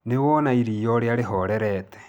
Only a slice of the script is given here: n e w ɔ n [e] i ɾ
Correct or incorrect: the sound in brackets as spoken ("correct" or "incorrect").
incorrect